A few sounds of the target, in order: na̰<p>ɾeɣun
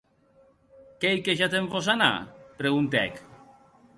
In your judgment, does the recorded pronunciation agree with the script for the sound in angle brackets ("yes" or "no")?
yes